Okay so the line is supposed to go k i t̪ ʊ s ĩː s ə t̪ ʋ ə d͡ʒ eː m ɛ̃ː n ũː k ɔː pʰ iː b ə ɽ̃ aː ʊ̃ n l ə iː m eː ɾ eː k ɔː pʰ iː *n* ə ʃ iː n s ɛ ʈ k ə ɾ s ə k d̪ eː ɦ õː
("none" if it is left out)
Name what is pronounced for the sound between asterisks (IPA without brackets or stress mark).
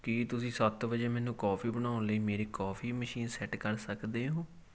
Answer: m